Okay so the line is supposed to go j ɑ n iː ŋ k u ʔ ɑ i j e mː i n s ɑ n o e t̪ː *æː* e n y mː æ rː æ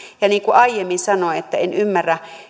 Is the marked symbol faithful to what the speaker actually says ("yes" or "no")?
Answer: no